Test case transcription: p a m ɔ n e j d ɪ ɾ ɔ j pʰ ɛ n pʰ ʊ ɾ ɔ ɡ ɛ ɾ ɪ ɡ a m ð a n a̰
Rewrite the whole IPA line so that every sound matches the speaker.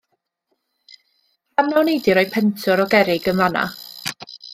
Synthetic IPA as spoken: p a n ɔ n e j d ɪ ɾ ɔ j pʰ ɛ n tʰ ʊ ɾ ɔ ɡ ɛ ɾ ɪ ɡ ə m v a n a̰